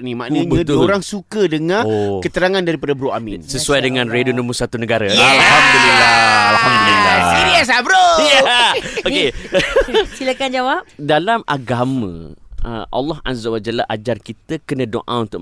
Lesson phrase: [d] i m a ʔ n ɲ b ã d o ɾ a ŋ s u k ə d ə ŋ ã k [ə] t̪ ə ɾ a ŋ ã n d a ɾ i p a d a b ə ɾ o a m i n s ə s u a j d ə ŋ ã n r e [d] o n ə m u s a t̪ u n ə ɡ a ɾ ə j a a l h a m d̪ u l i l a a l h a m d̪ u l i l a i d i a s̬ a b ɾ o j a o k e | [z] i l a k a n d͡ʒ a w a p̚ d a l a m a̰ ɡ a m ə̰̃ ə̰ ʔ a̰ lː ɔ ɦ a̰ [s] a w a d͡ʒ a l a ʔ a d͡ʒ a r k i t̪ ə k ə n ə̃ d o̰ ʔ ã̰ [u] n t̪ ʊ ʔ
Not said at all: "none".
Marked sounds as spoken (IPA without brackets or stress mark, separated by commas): n, ə, d, s, z, u